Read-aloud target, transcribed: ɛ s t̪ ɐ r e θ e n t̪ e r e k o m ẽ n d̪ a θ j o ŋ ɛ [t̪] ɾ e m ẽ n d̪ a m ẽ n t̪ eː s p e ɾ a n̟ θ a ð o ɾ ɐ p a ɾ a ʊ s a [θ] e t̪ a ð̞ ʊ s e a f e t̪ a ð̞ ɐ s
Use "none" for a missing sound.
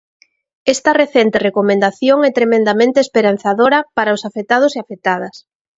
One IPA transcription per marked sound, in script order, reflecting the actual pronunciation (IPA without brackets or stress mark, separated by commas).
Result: t̪, f